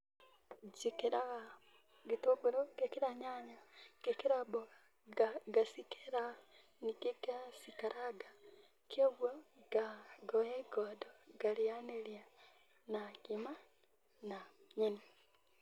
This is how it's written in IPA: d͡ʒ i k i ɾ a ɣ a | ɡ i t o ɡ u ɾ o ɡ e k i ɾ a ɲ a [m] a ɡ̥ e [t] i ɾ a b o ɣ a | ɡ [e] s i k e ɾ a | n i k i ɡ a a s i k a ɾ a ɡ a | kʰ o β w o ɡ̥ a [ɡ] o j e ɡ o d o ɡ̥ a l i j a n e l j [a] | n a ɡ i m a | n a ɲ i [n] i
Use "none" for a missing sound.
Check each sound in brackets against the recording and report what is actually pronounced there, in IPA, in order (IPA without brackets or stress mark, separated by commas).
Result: ɲ, k, a, ɡ, a, n